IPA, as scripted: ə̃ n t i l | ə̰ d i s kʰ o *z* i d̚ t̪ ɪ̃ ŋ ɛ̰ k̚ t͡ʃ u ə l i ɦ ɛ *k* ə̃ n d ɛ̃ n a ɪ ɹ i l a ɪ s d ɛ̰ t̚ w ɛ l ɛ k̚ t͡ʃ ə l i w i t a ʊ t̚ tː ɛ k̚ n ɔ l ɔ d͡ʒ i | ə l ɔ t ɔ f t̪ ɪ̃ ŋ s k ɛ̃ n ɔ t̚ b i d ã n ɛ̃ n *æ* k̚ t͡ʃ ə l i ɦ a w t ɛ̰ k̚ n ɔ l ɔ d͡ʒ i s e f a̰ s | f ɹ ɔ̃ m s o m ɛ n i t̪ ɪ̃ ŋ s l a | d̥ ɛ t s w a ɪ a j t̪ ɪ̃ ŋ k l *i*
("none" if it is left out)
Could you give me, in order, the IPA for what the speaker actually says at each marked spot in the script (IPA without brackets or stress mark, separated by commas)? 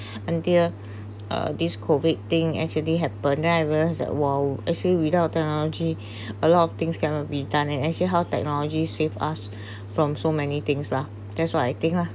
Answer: v, p, ɛ, a